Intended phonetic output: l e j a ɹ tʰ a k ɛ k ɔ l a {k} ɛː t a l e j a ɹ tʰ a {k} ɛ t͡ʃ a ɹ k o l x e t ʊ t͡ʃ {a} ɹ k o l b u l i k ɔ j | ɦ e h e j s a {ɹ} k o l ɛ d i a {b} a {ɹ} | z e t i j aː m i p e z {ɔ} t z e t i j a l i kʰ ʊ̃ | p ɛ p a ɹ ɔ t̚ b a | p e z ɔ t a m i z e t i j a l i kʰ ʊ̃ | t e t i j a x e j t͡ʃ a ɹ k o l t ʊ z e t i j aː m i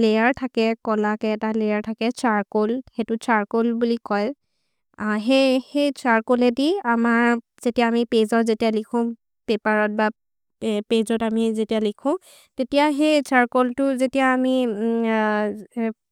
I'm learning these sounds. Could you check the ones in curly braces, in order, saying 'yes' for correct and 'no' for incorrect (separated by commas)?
yes, yes, yes, yes, no, yes, yes